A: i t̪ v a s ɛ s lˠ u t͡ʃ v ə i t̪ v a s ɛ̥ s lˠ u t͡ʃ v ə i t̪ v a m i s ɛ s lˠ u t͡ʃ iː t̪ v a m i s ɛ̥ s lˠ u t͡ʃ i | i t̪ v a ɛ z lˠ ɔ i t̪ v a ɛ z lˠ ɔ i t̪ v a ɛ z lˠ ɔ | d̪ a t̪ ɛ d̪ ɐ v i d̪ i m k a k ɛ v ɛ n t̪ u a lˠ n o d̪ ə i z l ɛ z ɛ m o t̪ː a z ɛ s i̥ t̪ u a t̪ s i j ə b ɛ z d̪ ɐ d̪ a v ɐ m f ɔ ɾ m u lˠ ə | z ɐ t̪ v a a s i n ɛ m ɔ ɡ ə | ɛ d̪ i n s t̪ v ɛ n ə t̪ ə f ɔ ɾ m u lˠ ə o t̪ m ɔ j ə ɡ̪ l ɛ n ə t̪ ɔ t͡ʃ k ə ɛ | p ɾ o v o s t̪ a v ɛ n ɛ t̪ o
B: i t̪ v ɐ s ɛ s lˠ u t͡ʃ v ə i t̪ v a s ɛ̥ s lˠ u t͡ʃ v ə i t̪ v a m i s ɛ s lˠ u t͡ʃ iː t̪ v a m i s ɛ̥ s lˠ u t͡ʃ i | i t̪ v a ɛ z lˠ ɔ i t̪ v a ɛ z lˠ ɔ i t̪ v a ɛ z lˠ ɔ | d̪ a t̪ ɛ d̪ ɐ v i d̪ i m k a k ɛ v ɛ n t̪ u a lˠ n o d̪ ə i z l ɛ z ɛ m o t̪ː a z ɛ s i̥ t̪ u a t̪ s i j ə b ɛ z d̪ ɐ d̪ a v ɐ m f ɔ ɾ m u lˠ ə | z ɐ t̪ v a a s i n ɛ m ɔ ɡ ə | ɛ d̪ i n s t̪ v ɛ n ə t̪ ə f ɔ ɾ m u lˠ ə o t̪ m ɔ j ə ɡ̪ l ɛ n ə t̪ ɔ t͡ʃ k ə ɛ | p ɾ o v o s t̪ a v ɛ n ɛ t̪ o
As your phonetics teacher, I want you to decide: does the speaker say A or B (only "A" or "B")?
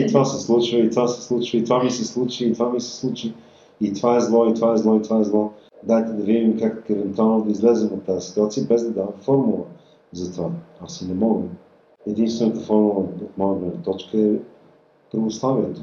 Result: A